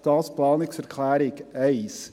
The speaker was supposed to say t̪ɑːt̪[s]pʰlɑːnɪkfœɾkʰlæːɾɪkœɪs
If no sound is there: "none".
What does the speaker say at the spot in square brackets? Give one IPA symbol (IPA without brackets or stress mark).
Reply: s